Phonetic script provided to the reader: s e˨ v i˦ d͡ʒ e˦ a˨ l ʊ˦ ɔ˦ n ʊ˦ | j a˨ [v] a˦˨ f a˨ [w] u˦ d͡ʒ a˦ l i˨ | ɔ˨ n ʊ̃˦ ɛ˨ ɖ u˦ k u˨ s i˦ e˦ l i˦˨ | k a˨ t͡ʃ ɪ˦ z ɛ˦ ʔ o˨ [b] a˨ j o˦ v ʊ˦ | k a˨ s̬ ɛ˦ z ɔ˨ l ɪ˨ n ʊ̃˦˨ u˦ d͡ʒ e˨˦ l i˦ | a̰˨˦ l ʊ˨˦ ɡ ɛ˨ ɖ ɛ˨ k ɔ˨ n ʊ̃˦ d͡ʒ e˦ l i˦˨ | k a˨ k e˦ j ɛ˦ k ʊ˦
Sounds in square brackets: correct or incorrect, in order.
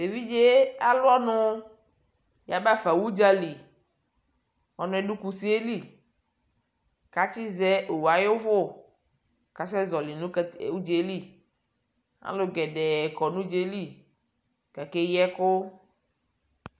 incorrect: b, correct, incorrect: w

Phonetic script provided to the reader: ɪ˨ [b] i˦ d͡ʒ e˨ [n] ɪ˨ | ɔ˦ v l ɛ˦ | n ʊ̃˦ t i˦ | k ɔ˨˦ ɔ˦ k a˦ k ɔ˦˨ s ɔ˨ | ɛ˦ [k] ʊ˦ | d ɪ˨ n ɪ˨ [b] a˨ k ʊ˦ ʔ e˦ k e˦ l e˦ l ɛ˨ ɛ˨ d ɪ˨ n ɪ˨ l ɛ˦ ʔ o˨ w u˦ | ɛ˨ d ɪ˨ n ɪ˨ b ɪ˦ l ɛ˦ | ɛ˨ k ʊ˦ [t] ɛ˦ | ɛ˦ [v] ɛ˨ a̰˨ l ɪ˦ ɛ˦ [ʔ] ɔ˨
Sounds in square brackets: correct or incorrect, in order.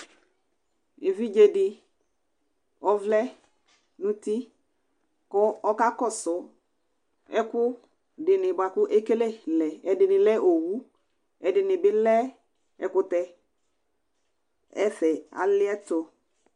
incorrect: v, incorrect: d, correct, correct, correct, incorrect: f, incorrect: t

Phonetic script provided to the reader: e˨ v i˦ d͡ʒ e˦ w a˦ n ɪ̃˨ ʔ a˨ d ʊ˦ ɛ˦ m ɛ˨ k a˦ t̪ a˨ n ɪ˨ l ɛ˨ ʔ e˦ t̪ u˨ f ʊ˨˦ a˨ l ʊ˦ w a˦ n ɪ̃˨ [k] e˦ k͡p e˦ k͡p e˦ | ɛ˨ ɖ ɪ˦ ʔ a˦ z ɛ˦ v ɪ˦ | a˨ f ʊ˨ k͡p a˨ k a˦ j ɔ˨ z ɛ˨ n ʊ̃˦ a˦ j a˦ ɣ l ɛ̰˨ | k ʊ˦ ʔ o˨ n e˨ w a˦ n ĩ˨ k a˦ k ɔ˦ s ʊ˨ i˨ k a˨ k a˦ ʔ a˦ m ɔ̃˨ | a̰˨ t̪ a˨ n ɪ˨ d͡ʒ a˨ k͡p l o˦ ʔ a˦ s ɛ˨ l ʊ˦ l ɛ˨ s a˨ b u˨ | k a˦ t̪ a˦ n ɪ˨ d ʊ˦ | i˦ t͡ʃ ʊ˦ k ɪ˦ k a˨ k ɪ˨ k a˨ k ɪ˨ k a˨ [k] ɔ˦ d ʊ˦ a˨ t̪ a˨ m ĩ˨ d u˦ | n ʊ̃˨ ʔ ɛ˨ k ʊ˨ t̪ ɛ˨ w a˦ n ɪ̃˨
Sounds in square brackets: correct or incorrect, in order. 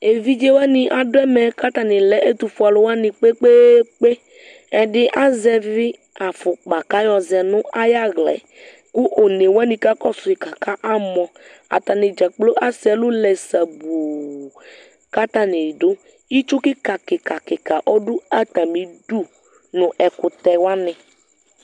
incorrect: k͡p, incorrect: ʔ

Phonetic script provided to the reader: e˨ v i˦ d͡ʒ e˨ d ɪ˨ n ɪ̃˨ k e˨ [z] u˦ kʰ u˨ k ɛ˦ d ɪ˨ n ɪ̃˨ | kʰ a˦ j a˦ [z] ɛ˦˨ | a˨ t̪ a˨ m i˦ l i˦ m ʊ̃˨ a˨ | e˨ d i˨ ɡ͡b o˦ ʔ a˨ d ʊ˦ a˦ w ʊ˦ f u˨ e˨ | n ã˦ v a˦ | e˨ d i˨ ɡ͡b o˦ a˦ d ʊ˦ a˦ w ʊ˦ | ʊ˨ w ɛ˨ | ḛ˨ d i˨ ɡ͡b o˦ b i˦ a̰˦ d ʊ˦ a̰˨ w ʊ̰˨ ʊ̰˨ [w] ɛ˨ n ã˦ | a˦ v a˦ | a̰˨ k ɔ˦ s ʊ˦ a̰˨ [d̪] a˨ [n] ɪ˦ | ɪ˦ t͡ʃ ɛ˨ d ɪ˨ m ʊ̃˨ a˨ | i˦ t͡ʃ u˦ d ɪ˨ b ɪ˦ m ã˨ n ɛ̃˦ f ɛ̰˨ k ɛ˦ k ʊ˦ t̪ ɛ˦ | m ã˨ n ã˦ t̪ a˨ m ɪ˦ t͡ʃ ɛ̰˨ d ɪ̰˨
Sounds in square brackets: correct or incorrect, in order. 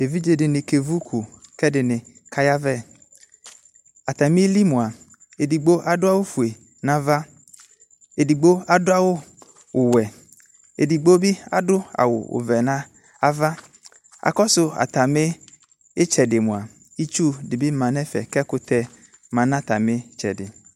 incorrect: v, incorrect: v, incorrect: v, incorrect: t̪, incorrect: m

